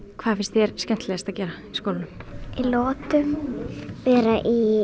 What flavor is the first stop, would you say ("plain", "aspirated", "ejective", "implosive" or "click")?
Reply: aspirated